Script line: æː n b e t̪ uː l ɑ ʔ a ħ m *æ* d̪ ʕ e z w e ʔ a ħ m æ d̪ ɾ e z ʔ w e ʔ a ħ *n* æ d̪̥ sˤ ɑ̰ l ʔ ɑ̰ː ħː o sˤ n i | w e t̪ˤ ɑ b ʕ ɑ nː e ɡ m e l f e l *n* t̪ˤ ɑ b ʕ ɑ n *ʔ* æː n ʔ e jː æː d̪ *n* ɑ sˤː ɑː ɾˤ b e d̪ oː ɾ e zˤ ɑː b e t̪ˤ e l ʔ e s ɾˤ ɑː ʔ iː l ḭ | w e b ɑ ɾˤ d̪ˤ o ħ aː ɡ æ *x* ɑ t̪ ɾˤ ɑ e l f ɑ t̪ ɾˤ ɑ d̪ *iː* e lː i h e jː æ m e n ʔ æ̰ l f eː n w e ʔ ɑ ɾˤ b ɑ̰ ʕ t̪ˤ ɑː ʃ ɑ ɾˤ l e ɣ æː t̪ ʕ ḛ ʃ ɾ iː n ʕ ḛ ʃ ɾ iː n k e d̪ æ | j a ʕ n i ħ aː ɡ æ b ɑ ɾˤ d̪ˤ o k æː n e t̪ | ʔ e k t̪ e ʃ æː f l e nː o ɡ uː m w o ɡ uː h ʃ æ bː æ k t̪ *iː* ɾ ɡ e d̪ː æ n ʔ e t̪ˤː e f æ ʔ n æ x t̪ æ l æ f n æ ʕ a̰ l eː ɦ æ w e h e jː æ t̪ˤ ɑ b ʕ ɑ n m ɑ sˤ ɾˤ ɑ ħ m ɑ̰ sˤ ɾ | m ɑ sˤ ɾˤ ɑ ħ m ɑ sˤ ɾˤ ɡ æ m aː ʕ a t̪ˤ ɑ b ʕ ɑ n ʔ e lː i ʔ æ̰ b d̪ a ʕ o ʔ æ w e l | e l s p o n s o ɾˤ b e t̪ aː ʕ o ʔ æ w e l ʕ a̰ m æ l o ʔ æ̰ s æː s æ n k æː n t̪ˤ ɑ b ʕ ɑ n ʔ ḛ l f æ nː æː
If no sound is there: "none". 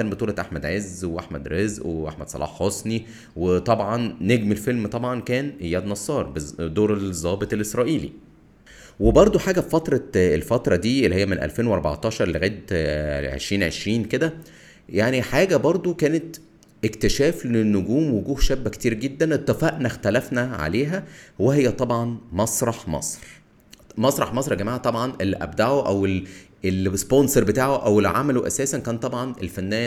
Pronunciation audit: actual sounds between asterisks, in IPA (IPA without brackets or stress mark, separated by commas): æ, m, m, k, n, f, iː, iː